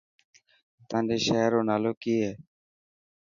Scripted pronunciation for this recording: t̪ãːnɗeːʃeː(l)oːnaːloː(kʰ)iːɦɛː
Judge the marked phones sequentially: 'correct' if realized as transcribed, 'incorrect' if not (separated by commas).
incorrect, incorrect